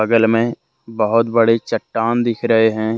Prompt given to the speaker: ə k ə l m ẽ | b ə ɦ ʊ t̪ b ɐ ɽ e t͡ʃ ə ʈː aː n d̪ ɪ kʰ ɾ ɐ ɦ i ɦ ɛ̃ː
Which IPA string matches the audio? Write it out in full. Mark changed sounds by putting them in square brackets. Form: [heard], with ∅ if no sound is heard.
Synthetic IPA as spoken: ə [ɡ] ə l m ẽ | b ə ɦ ʊ t̪ b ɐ ɽ e t͡ʃ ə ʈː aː n d̪ ɪ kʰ ɾ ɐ ɦ [e] ɦ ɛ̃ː